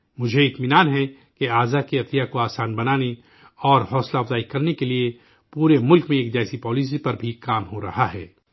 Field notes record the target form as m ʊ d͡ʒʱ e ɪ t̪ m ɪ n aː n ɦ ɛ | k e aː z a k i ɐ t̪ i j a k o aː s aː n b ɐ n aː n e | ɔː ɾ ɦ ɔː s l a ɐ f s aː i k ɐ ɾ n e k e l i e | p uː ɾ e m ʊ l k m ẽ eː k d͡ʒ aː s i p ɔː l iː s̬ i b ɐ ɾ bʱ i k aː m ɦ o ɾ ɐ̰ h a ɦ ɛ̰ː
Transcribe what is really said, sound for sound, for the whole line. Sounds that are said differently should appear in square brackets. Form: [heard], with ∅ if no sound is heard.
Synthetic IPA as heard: m ʊ d͡ʒʱ e ɪ t̪ m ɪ n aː n ɦ ɛ | k e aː z a k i ɐ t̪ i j a k o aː s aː n b ɐ n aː n e | ɔː ɾ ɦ ɔː s l a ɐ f [z] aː i k ɐ ɾ n e k e l i e | p uː ɾ e m ʊ l k m ẽ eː k d͡ʒ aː s i p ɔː l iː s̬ i [p] ɐ ɾ bʱ i k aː m ɦ o ɾ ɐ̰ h a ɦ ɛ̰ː